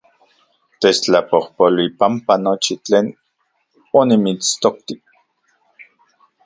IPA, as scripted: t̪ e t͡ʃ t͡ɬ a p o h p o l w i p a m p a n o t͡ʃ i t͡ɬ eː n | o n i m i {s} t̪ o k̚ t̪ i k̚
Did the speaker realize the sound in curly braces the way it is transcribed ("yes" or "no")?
no